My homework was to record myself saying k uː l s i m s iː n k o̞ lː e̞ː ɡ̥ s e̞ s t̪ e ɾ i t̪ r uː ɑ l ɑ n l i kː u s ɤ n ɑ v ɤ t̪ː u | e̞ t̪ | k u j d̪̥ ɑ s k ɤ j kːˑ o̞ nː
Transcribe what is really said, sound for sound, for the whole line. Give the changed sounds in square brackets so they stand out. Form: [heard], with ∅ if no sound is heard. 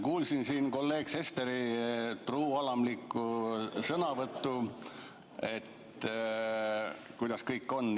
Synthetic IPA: k uː l s i [n] s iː n k o̞ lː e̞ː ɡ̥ s e̞ s t̪ e ɾ i t̪ r uː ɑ l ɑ [m] l i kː u s ɤ n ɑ v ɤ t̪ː u | e̞ t̪ | k u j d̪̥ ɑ s k ɤ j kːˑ o̞ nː